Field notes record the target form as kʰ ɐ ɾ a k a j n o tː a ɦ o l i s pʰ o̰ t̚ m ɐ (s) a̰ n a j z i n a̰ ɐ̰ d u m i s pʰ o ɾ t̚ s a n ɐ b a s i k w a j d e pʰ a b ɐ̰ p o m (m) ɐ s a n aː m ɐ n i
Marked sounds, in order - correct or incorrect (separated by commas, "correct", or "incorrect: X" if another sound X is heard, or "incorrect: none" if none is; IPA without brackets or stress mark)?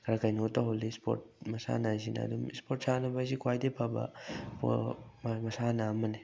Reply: correct, correct